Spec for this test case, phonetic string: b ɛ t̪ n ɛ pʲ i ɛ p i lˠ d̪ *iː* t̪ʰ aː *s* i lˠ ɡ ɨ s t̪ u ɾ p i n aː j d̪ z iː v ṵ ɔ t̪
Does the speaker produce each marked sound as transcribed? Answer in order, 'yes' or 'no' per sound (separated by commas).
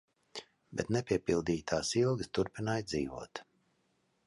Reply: yes, yes